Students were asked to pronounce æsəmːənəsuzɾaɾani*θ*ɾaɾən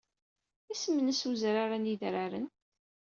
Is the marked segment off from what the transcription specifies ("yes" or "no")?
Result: yes